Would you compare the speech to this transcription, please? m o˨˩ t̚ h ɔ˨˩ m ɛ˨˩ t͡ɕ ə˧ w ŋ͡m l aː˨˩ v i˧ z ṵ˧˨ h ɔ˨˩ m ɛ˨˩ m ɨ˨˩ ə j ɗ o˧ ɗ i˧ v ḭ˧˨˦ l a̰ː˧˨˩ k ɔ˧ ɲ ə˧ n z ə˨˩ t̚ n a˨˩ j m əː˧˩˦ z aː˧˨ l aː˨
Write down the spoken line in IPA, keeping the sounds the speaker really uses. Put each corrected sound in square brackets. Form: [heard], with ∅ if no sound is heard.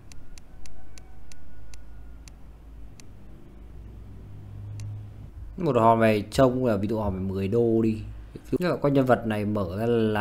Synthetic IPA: m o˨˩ t̚ h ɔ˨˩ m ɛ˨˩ t͡ɕ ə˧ w ŋ͡m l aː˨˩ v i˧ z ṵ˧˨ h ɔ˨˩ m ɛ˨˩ m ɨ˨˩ ə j ɗ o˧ ɗ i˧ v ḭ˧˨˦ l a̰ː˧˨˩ k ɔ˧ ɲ ə˧ n [v] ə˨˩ t̚ n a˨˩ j m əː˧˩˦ z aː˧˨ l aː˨